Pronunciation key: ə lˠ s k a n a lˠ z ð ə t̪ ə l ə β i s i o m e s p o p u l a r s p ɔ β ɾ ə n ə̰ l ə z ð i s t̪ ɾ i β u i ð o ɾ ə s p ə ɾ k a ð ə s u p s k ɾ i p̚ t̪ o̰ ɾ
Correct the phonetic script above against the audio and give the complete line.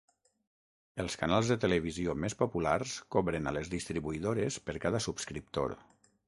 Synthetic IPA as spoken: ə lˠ s k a n a lˠ z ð ə t̪ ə l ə β i z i o m e s p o p u l a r s k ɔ β ɾ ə n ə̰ l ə z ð i s t̪ ɾ i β u i ð o ɾ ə s p ə ɾ k a ð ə s u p s k ɾ i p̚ t̪ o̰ ɾ